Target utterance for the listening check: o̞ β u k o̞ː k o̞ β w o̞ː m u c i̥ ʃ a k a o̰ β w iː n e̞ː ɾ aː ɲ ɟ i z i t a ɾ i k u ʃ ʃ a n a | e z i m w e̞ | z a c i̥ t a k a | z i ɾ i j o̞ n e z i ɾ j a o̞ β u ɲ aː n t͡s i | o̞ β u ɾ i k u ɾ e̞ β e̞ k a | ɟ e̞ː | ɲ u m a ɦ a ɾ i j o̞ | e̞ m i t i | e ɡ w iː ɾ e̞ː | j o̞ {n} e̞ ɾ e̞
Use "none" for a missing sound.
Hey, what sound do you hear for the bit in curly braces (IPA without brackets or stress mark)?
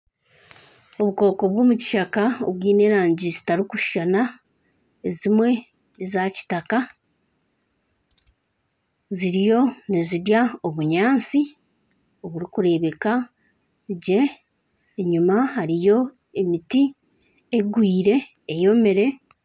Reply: m